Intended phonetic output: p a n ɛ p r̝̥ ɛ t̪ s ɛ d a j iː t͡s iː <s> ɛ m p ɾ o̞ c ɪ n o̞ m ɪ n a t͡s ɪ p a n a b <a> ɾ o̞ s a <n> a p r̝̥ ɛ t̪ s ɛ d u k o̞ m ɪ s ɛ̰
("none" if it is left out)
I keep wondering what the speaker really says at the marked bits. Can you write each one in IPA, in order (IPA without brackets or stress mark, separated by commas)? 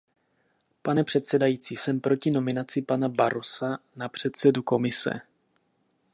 s, a, n